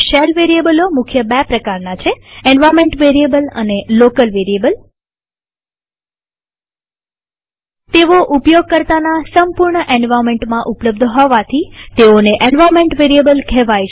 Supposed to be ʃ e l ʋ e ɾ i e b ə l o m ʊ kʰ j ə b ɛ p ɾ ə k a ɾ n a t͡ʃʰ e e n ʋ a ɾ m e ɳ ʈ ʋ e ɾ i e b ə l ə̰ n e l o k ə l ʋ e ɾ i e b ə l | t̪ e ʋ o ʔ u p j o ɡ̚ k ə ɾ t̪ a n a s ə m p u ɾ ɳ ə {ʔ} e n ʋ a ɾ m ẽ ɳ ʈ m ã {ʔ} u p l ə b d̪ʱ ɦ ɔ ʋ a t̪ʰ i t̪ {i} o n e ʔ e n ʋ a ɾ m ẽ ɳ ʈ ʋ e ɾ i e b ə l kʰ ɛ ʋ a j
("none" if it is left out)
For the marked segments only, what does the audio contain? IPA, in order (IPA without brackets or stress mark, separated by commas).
ʔ, ʔ, e